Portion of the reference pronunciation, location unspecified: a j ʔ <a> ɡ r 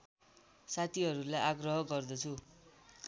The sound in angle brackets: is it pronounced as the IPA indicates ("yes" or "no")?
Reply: yes